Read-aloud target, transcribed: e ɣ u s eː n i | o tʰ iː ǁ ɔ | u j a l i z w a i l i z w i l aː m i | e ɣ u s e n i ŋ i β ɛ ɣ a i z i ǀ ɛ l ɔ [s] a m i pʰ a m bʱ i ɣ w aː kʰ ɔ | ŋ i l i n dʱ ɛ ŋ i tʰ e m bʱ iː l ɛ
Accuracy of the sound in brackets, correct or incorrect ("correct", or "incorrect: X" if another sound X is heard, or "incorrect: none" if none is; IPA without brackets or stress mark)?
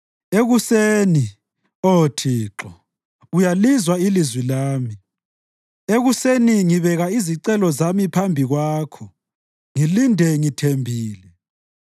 incorrect: z